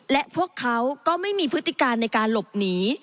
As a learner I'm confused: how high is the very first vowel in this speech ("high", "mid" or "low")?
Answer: mid